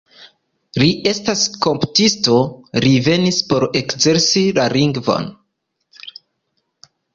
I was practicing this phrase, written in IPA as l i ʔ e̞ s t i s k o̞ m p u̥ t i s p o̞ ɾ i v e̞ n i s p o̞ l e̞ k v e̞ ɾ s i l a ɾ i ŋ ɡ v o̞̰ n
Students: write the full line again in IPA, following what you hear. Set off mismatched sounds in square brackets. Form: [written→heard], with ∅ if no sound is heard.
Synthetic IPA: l i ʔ e̞ s t [i→a] s k o̞ m p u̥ t i s [p→t] o̞ ɾ i v e̞ n i s p o̞ [l→ɾ] e̞ k [v→z] e̞ ɾ s i l a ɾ i ŋ ɡ v o̞̰ n